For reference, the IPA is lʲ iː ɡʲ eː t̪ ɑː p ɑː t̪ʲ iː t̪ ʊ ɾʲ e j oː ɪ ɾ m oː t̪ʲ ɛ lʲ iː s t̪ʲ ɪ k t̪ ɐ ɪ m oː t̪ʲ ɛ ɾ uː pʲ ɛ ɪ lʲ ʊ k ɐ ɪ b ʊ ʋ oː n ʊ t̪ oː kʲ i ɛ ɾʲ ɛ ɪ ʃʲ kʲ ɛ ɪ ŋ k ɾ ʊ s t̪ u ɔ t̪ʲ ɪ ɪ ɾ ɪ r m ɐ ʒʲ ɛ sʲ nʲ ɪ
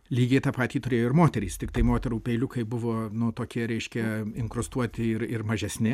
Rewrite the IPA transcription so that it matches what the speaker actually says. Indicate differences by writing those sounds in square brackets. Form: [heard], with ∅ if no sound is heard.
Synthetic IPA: lʲ iː ɡʲ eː t̪ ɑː p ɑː t̪ʲ iː t̪ ʊ ɾʲ e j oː ɪ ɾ m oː t̪ʲ ɛ [ɾʲ] iː s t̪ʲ ɪ k t̪ ɐ ɪ m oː t̪ʲ ɛ ɾ uː pʲ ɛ ɪ lʲ ʊ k ɐ ɪ b ʊ ʋ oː n ʊ t̪ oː kʲ i ɛ ɾʲ ɛ ɪ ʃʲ kʲ ɛ ɪ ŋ k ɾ ʊ s t̪ u ɔ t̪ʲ ɪ ɪ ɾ ɪ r m ɐ ʒʲ ɛ sʲ nʲ ɪ